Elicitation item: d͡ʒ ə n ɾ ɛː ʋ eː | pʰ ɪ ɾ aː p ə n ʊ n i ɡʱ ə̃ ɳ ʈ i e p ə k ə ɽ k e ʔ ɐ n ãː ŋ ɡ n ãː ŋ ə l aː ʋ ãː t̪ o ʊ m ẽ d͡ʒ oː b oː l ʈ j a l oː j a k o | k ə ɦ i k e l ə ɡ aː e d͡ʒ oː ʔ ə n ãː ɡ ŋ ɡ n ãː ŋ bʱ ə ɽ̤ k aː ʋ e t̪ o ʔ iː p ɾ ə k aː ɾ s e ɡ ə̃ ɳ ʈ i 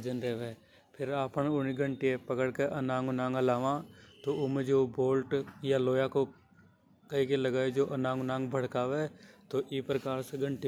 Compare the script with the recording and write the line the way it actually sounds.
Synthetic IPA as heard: d͡ʒ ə n ɾ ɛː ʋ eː | pʰ ɪ ɾ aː p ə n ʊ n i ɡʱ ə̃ ɳ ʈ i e p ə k ə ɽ k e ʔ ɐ n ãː ŋ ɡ n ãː ŋ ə l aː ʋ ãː t̪ o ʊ m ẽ d͡ʒ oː b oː l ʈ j a l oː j a k o | k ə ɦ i k e l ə ɡ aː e d͡ʒ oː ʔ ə n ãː ŋ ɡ n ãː ŋ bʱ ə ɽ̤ k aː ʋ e t̪ o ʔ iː p ɾ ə k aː ɾ s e ɡ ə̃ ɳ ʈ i